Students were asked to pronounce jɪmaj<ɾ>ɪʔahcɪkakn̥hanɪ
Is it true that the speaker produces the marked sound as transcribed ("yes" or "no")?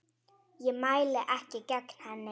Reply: no